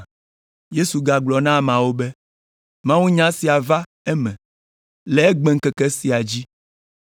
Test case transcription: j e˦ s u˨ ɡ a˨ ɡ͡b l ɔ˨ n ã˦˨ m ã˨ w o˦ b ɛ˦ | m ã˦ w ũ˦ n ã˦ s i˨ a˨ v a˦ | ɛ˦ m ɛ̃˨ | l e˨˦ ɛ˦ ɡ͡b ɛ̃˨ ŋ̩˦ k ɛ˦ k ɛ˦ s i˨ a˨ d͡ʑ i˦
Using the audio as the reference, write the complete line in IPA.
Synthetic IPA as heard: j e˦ s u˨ ɡ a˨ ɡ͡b l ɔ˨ n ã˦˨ m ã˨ w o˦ b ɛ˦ | m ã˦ w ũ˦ ɲ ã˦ s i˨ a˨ v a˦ | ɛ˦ m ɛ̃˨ | l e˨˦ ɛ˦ ɡ͡b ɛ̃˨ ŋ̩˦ k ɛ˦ k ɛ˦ s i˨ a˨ d͡ʑ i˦